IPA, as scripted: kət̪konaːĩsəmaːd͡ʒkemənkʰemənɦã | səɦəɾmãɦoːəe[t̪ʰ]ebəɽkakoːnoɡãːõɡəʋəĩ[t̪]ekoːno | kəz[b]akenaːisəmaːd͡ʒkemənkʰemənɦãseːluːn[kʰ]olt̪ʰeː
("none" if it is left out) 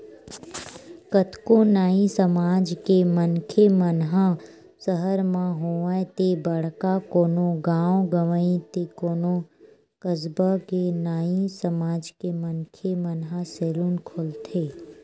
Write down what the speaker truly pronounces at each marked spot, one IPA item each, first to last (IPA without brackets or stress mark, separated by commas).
t̪, t̪, b, kʰ